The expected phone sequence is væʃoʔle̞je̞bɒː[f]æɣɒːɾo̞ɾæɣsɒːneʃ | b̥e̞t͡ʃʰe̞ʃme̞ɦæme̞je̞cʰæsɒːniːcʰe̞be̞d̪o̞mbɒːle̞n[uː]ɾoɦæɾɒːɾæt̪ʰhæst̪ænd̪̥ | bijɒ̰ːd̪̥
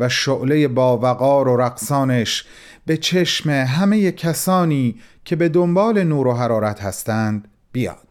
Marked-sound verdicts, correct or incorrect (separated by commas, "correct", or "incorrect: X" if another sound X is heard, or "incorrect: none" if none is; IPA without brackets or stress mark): incorrect: v, correct